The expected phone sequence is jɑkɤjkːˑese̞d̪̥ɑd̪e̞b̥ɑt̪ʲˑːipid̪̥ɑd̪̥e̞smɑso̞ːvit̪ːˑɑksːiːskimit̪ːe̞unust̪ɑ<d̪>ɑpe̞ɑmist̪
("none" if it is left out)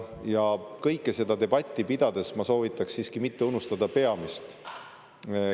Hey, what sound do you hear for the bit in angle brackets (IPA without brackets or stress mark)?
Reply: d̪